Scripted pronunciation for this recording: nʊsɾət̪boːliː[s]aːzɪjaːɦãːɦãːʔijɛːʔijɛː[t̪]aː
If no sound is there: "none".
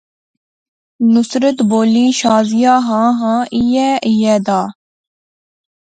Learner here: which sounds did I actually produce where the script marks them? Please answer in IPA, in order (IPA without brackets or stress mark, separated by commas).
ʃ, d̪